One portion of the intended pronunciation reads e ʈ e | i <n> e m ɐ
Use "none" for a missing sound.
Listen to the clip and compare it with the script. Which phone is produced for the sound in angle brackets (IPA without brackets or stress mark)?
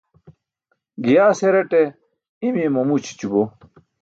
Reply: m